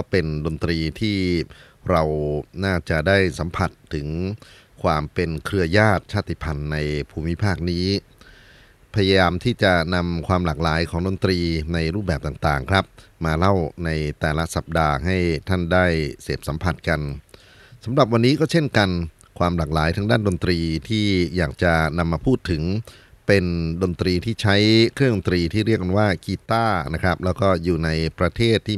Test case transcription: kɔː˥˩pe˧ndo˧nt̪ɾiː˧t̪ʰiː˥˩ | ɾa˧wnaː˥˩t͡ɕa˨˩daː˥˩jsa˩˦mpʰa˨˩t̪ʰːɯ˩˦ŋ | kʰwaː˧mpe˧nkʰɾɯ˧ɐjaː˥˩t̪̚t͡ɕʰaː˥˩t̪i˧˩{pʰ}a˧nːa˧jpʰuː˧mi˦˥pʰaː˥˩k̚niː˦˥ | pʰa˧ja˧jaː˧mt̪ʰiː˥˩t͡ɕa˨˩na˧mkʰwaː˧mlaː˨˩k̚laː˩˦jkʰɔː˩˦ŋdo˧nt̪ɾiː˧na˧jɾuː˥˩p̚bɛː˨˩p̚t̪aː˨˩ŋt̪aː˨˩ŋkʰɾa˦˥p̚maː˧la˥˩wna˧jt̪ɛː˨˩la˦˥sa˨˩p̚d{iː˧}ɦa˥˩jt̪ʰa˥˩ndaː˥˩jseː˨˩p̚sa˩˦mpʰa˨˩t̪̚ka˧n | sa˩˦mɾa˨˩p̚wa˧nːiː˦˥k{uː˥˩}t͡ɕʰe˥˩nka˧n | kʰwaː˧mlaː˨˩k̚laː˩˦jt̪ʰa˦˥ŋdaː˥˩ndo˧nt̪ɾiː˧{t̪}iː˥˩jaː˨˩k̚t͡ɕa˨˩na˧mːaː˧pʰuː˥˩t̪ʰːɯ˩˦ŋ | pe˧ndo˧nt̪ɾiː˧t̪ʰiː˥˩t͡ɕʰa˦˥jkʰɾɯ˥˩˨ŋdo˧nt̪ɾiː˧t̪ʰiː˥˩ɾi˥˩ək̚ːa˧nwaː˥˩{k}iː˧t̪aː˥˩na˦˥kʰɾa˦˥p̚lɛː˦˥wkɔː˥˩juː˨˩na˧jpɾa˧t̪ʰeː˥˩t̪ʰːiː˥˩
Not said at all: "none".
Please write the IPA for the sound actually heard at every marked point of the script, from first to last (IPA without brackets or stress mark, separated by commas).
pʰ, aː˧, ɔː˥˩, t̪ʰ, k